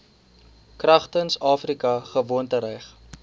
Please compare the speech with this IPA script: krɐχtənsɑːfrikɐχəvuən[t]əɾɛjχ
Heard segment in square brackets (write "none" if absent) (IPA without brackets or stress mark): t